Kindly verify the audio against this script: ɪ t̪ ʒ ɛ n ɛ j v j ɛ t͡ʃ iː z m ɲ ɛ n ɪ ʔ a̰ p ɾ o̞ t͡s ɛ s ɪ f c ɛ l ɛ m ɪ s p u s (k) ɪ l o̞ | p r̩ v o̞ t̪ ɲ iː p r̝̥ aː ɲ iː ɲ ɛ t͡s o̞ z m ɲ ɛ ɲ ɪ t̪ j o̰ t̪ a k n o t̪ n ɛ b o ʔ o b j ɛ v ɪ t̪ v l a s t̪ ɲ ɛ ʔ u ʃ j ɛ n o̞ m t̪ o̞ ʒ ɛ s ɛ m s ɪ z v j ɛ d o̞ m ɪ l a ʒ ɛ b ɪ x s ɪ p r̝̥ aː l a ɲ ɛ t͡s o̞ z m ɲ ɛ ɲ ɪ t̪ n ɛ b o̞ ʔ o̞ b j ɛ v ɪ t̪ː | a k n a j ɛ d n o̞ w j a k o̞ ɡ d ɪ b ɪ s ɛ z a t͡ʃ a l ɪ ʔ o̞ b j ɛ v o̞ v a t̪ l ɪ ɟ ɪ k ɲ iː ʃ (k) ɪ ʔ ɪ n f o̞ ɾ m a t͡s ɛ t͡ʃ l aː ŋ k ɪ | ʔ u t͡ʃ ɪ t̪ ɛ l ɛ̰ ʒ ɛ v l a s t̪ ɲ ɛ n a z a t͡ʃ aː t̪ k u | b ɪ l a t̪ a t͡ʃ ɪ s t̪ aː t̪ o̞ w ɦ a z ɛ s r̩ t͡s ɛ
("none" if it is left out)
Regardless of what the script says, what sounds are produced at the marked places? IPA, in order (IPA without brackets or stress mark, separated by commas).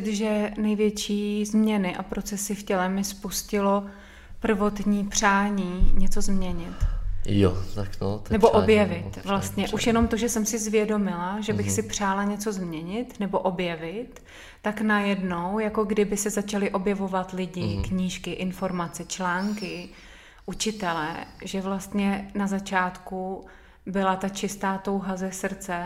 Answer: c, k